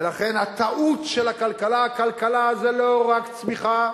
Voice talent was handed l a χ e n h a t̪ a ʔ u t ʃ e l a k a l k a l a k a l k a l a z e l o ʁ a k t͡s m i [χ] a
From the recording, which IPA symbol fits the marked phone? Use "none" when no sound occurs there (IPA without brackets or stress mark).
χ